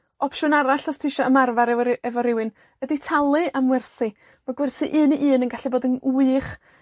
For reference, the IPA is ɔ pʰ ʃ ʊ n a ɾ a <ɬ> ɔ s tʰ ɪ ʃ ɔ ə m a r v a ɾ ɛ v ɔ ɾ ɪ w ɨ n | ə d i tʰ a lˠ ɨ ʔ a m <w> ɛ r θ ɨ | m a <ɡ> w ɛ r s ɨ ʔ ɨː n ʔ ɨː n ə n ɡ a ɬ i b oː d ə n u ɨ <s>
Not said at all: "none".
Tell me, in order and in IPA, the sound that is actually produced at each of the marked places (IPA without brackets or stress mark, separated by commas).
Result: ɬ, w, ɡ, χ